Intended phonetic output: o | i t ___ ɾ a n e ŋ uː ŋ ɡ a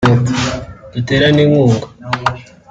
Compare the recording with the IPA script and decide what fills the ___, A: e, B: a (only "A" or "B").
A